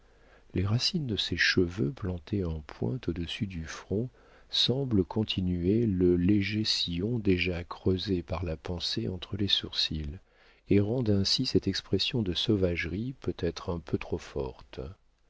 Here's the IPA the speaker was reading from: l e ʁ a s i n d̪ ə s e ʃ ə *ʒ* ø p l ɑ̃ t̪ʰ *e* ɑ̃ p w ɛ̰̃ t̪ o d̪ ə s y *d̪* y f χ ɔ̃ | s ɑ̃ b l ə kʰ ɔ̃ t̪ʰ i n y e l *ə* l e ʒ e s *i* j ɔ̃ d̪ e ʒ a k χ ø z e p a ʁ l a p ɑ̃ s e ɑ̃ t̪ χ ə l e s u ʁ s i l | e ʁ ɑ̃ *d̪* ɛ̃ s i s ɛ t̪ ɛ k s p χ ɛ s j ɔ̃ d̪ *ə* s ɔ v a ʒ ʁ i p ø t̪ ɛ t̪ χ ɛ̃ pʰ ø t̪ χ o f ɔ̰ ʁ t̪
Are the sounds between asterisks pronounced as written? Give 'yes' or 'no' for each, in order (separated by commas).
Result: no, yes, yes, yes, yes, yes, yes